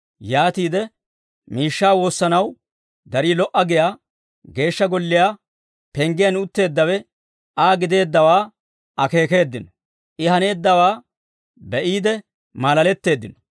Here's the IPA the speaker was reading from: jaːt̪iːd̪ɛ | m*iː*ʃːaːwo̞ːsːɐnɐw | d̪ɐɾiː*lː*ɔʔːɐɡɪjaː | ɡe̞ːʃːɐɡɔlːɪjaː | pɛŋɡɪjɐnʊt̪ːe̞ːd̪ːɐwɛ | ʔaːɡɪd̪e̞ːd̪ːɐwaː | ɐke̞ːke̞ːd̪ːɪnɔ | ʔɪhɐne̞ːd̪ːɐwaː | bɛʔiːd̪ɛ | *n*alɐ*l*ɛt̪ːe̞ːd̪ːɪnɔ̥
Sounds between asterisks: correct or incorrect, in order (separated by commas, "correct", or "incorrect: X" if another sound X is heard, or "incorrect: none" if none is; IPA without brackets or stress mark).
correct, incorrect: l, incorrect: m, correct